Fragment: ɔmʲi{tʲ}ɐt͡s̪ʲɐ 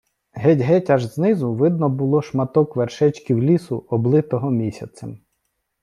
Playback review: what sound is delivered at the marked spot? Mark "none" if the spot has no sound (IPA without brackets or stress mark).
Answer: sʲ